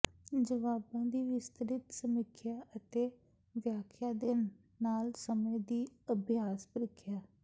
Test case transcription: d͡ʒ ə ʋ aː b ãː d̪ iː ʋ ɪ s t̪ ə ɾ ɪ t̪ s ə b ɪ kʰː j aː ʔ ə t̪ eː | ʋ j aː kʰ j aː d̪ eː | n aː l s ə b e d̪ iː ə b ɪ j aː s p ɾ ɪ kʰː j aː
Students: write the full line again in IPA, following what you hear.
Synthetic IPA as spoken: d͡ʒ ə ʋ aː b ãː d̪ iː ʋ ɪ s t̪ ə ɾ ɪ t̪ s ə m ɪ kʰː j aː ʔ ə t̪ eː | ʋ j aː kʰ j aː d̪ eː | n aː l s ə m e d̪ iː ə b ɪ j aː s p ɾ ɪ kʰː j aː